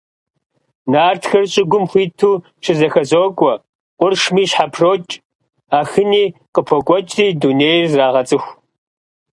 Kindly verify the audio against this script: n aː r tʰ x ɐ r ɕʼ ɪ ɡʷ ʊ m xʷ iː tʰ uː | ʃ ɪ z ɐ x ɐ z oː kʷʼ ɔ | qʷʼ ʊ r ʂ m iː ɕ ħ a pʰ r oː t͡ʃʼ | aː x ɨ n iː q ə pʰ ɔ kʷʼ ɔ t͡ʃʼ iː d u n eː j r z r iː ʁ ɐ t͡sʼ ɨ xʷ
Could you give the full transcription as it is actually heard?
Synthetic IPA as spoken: n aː r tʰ x ɐ r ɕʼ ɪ ɡʷ ʊ m xʷ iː tʰ uː | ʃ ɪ z ɐ x ɐ z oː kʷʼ ɔ | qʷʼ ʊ r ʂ m iː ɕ ħ a pʰ r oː t͡ʃʼ | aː x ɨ n iː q ə pʰ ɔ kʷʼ ɔ t͡ʃʼ iː d u n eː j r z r aː ʁ ɐ t͡sʼ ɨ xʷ